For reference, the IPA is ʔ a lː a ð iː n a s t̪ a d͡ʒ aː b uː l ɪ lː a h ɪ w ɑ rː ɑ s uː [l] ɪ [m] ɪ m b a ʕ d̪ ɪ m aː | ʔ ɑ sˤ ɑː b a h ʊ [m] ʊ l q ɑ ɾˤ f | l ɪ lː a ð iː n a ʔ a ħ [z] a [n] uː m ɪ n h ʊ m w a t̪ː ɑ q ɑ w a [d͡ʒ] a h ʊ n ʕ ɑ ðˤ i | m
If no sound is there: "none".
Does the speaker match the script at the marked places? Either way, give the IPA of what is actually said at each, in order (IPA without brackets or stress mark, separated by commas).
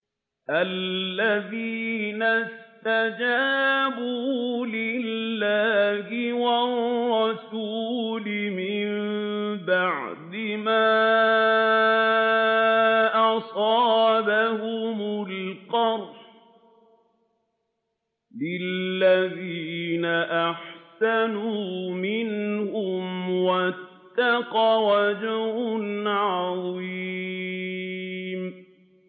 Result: l, m, m, s, n, d͡ʒ